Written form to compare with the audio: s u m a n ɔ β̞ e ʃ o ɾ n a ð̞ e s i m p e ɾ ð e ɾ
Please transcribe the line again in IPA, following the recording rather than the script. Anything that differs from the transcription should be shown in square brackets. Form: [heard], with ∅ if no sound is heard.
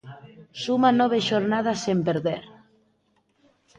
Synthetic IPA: s u m a n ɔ β̞ e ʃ o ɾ n a ð̞ [a] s [e] m p e ɾ ð e ɾ